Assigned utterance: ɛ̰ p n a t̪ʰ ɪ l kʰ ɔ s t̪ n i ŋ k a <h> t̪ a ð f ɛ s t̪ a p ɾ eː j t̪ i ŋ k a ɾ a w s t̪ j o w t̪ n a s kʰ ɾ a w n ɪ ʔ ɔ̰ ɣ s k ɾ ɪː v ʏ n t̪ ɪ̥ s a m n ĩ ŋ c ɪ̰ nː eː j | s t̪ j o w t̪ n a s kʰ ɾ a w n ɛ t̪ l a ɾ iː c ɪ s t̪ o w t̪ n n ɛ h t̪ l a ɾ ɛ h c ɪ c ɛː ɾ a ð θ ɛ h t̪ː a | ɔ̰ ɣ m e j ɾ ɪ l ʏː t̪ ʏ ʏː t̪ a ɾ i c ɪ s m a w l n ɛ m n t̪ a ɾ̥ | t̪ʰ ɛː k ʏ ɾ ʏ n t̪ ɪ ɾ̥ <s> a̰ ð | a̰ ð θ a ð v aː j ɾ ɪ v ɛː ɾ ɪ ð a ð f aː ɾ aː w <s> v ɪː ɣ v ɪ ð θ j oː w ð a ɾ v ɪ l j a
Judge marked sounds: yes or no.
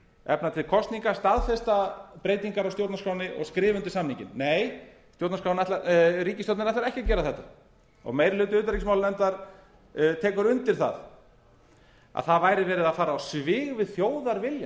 no, no, yes

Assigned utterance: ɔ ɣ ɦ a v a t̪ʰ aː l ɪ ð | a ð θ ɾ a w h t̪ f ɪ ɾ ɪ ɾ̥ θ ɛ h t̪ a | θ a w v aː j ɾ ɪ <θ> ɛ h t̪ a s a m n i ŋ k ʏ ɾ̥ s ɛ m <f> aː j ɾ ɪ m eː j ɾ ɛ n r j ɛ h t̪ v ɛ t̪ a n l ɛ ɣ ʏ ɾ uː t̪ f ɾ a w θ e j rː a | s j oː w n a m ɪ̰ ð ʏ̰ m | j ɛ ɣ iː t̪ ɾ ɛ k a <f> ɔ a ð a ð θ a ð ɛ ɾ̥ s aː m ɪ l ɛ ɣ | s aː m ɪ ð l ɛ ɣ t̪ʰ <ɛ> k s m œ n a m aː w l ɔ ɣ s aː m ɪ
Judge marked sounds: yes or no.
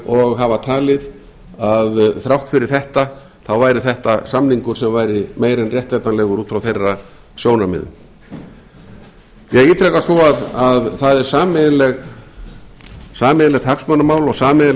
yes, no, no, no

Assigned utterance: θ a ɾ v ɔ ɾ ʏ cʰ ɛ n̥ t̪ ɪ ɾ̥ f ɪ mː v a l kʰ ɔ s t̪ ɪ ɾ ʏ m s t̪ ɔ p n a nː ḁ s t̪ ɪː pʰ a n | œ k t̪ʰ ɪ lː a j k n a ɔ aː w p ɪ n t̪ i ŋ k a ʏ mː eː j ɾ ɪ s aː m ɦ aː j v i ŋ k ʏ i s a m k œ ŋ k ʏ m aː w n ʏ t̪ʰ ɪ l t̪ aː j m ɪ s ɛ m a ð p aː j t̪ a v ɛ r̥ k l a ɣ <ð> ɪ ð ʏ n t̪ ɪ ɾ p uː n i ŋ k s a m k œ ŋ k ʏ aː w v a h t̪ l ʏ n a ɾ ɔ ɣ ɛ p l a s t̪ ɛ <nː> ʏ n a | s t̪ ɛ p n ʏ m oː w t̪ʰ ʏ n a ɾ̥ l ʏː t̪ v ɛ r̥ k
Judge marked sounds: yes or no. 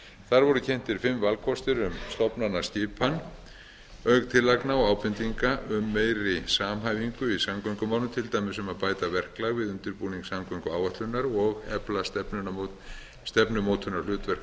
no, no

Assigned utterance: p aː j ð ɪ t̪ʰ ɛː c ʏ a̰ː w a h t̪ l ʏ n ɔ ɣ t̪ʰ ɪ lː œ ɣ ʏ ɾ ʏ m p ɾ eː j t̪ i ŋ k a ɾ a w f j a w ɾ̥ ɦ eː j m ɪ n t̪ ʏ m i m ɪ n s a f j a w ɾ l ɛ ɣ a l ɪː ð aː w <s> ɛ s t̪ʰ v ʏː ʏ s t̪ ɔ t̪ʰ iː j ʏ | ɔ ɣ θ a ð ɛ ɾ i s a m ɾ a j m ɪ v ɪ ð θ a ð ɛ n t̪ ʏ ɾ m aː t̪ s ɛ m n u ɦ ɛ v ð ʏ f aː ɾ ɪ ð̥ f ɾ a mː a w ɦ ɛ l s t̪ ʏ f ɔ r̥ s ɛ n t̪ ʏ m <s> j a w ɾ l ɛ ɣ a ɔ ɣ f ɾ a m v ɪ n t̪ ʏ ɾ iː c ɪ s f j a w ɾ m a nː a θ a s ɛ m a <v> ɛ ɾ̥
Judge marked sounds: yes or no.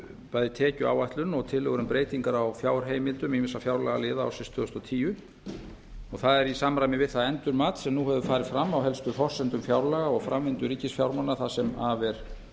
yes, no, yes

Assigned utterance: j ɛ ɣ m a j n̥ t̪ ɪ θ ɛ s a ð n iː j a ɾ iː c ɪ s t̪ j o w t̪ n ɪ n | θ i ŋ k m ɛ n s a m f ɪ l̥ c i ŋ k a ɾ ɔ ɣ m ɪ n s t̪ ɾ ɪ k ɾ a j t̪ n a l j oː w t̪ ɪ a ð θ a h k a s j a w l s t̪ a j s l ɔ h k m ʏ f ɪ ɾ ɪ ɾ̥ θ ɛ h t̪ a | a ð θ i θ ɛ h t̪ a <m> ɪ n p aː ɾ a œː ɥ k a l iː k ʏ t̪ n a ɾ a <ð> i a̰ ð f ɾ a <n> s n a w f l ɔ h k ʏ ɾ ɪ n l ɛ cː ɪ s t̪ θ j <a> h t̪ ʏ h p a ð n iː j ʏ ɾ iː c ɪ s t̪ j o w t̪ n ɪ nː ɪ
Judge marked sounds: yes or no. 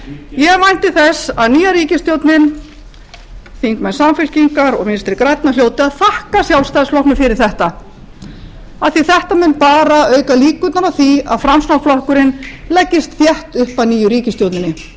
yes, no, no, no

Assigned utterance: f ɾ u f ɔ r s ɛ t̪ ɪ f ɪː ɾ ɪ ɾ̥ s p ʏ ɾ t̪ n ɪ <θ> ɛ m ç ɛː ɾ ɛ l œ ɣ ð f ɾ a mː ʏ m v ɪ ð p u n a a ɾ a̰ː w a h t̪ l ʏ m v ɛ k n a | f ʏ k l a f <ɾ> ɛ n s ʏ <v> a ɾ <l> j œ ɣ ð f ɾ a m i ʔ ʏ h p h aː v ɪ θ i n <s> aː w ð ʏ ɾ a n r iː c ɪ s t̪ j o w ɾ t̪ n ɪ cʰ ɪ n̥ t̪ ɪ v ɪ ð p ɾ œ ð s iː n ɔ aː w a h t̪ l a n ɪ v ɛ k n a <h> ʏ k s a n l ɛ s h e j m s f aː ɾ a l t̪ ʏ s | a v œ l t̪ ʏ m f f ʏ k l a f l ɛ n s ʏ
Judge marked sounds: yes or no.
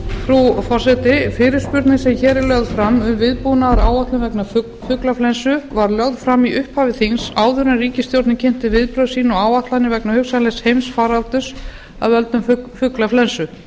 no, no, yes, yes, yes, yes

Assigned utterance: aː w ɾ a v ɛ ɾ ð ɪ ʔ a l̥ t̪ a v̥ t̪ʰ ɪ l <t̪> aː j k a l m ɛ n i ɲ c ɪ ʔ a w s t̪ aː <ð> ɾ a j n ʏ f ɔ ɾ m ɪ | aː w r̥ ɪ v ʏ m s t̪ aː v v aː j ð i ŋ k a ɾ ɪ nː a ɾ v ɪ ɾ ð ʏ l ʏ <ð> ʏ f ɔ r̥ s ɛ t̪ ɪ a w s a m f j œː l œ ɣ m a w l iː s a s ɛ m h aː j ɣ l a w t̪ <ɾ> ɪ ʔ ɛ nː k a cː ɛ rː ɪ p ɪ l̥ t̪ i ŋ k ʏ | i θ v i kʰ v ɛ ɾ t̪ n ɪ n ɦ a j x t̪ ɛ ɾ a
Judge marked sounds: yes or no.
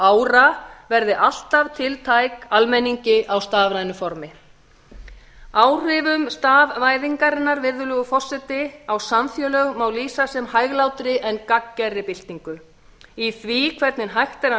no, no, no, yes

